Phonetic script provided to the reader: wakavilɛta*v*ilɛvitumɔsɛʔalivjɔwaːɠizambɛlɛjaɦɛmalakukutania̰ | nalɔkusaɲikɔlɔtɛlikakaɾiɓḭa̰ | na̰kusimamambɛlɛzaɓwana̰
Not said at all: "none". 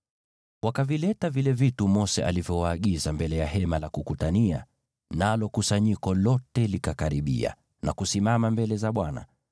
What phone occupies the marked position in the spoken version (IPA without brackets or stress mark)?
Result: v